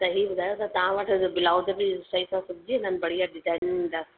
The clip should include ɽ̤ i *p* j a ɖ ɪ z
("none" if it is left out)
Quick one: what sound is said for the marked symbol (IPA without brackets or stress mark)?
none